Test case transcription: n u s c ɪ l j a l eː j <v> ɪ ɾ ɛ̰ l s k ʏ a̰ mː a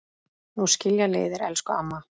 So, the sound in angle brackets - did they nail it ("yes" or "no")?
no